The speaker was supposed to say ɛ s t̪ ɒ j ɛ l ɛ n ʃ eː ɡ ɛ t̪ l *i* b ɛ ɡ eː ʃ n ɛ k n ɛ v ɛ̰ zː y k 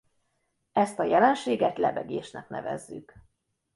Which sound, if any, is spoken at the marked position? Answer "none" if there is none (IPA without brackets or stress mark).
ɛ